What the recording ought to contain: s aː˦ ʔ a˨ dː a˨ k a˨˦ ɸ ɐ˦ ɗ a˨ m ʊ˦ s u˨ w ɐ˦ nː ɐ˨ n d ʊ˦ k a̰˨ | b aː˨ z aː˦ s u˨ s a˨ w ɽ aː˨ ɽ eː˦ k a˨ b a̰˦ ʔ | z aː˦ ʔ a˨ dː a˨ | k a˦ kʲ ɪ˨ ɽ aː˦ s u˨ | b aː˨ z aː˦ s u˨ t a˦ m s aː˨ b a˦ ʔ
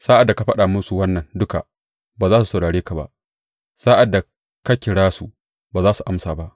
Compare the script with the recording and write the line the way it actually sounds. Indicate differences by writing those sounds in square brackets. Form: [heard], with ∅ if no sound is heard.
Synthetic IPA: s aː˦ ʔ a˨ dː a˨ k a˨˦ ɸ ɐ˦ ɗ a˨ m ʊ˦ s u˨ w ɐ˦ nː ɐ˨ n d ʊ˦ k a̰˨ | b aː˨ z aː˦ s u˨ s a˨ w ɽ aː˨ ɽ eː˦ k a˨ b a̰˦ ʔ | [s] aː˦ ʔ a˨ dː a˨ | k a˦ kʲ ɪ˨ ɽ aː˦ s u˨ | b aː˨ z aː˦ s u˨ [ʔ] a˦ m s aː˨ b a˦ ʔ